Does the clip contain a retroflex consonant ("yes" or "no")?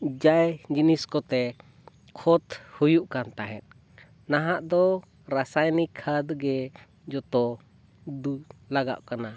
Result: no